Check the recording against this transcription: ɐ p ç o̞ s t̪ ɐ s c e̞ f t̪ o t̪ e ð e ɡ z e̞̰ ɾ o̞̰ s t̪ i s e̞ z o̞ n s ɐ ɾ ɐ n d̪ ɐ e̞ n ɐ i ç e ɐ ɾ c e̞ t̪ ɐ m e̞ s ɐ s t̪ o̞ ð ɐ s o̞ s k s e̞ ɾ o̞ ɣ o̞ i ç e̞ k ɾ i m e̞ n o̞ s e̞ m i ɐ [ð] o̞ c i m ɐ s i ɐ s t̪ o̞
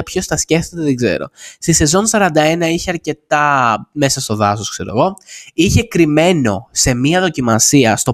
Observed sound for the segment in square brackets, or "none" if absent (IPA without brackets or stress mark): ð